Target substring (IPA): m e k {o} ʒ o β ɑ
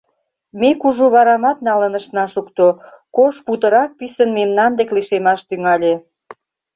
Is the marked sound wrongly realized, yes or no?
yes